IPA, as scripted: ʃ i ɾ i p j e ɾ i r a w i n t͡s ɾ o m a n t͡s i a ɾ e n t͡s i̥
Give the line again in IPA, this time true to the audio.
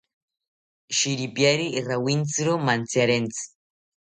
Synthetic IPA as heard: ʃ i ɾ i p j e ɾ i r a w i n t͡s ɾ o m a n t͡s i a ɾ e n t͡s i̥